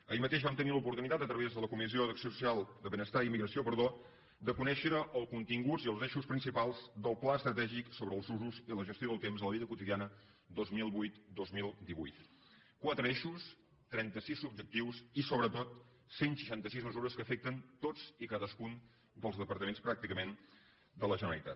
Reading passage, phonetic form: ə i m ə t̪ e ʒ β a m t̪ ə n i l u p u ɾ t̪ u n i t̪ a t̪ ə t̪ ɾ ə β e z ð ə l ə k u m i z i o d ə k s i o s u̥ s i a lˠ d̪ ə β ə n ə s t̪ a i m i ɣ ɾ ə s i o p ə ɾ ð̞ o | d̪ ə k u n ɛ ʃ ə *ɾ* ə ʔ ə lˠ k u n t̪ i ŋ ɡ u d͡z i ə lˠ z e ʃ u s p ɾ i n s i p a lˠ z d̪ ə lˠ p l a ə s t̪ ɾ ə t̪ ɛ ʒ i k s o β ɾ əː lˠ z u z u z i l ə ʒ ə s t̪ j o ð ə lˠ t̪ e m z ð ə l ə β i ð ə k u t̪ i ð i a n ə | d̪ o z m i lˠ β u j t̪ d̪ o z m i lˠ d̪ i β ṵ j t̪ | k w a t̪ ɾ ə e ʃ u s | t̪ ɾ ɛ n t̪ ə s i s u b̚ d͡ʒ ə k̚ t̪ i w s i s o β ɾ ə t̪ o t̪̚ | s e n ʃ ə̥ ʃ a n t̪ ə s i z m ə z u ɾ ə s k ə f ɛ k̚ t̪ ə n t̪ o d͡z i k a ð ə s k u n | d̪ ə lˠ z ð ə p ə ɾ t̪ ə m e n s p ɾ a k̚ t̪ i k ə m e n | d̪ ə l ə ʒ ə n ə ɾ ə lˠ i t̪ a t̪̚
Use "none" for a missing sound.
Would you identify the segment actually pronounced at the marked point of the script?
ɾ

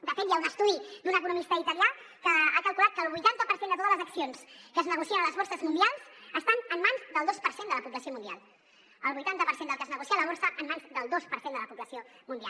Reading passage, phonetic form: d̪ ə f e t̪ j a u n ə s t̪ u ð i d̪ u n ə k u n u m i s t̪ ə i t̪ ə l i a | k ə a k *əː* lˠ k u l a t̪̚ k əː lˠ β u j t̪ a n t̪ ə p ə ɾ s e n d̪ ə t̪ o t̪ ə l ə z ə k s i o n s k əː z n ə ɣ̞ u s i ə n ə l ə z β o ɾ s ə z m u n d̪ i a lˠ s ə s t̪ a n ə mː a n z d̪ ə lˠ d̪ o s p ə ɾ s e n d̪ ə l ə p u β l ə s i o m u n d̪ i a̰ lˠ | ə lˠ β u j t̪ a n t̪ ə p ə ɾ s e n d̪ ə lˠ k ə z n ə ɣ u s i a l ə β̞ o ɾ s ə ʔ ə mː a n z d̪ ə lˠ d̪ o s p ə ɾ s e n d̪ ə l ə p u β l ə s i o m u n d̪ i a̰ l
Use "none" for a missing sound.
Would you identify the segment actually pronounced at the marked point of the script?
ə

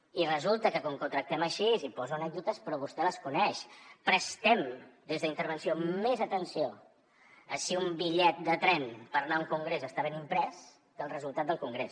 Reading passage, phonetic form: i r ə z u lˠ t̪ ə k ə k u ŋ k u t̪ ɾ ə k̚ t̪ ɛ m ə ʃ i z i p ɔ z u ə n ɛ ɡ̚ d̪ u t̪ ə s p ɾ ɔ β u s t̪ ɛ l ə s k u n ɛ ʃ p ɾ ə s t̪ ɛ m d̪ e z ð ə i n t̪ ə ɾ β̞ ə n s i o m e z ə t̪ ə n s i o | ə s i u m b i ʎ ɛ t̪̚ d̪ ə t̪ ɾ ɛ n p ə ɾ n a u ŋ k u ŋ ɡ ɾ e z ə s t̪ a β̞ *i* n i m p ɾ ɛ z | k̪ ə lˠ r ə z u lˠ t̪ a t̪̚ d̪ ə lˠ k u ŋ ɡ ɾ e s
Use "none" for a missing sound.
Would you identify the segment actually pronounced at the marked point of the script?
e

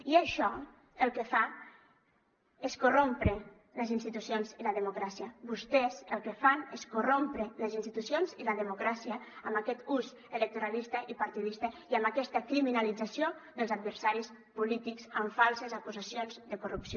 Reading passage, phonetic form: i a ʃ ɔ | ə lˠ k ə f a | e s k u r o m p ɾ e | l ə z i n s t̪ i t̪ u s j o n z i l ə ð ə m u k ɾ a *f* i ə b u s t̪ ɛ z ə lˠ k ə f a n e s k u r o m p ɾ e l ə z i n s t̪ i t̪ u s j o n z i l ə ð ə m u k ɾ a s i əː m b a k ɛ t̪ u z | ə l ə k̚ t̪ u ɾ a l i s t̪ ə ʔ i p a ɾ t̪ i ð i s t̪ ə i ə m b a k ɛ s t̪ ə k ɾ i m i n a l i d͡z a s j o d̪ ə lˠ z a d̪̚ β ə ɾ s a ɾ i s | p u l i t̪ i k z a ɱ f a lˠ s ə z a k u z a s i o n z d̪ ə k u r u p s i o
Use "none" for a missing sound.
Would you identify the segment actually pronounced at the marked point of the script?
s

